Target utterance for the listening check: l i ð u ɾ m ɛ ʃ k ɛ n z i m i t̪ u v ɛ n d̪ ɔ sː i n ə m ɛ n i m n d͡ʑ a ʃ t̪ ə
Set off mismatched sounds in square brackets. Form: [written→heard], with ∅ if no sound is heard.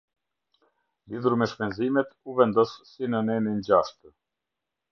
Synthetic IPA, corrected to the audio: l i ð u ɾ m ɛ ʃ [k→p] ɛ n z i m [i→ɛ] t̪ u v ɛ n d̪ ɔ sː i n ə [m→n] ɛ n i [m→∅] n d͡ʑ a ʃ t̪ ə